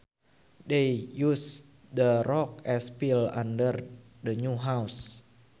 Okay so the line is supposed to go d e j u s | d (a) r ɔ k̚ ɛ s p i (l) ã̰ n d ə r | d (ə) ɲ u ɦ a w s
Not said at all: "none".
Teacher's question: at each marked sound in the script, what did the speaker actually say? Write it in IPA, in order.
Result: ə, l, ə

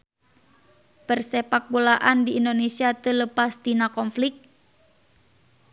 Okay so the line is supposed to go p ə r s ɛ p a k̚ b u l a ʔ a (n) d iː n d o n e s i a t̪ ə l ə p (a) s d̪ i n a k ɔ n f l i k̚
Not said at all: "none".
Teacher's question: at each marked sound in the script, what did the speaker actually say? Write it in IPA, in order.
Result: n, a

